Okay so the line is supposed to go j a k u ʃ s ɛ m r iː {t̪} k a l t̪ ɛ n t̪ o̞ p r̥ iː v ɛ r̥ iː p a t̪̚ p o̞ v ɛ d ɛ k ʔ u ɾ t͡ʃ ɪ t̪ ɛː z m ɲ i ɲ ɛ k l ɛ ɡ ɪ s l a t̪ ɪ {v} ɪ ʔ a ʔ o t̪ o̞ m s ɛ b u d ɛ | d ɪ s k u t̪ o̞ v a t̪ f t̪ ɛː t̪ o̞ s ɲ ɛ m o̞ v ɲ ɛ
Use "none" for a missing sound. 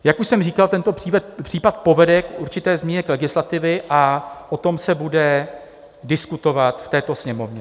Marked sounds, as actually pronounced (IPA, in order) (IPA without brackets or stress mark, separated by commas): none, v